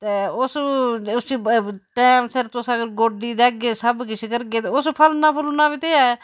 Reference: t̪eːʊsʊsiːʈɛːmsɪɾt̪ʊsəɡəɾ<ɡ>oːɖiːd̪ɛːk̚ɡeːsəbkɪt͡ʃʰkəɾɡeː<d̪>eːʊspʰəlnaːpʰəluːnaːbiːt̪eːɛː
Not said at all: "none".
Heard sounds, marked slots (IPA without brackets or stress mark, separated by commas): ɡ, t̪